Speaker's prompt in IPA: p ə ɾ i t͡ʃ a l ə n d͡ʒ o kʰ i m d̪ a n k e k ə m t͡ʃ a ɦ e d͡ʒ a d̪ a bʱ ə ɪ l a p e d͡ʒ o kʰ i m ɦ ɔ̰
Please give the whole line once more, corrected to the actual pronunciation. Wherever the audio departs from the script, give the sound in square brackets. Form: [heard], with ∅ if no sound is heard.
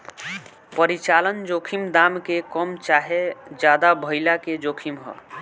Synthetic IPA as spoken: p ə ɾ i t͡ʃ a l ə n d͡ʒ o kʰ i m d̪ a [m] k e k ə m t͡ʃ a ɦ e d͡ʒ a d̪ a bʱ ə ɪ l a [k] e d͡ʒ o kʰ i m ɦ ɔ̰